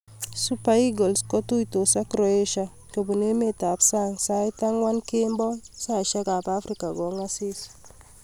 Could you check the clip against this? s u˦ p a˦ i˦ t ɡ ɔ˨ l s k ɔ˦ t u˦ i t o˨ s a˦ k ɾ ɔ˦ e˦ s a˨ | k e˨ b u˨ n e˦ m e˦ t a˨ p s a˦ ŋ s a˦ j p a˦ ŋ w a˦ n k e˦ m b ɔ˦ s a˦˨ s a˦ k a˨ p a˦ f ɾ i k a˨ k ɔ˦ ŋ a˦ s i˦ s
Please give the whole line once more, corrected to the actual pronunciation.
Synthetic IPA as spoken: s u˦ p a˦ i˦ ɡ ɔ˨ l s k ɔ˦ t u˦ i t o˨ s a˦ k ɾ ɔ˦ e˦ ʃ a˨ | k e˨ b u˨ n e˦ m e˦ t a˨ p s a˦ ŋ s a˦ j t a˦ ŋ w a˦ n k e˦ m b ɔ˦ s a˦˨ ʃ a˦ k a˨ p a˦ f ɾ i k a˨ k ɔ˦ ŋ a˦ s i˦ s